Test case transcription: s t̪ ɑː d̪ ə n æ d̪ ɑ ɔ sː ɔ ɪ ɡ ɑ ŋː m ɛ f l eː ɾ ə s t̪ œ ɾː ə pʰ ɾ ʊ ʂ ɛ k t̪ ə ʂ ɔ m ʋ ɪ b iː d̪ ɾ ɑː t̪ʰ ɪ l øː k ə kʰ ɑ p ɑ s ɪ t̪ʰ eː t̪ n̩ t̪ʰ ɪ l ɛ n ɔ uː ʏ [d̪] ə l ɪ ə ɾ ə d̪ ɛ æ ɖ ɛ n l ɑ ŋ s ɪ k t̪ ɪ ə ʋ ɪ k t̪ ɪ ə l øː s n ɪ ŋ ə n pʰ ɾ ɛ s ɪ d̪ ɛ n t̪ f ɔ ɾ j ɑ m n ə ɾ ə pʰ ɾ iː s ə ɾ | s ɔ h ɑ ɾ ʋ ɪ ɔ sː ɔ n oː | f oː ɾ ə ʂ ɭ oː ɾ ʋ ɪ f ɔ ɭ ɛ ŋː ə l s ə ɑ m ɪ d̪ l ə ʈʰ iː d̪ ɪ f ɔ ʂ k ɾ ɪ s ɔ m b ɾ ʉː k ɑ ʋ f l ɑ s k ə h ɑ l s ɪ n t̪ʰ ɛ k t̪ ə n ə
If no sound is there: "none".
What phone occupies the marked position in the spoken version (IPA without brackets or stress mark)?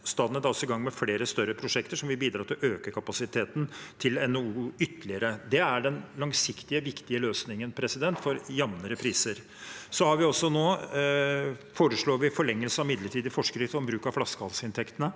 t̪